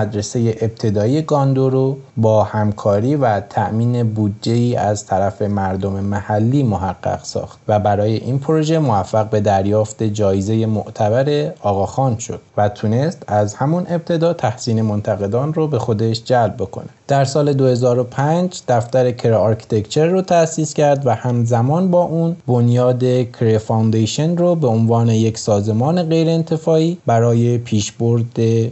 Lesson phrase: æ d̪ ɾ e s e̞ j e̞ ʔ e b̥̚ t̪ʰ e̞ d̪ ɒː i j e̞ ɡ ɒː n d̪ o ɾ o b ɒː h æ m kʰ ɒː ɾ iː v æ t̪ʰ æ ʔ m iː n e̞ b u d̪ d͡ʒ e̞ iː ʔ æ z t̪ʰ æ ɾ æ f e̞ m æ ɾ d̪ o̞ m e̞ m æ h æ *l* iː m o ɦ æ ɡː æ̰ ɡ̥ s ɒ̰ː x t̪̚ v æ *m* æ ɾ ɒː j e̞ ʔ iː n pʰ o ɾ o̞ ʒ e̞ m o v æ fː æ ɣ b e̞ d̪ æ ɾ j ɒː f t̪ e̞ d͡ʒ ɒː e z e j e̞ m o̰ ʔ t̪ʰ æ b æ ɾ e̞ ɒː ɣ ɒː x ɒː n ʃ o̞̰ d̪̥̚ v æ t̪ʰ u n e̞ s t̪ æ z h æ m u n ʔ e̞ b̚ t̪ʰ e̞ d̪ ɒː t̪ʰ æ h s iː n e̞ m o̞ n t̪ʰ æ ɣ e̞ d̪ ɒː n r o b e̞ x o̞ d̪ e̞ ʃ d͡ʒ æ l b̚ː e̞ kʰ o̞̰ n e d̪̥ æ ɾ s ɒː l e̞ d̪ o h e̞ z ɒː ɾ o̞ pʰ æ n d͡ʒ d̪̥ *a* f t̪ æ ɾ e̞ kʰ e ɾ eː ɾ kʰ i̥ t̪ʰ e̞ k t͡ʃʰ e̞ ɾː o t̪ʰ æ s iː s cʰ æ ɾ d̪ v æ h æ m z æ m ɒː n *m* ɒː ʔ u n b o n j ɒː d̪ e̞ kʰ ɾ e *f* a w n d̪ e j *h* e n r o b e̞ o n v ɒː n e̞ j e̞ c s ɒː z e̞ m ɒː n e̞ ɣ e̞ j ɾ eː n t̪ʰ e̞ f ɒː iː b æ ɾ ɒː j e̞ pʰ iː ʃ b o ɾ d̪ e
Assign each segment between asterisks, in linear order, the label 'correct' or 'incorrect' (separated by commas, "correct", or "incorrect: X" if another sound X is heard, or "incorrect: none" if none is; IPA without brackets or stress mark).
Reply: incorrect: lː, incorrect: b, incorrect: æ, incorrect: b, correct, incorrect: ʃ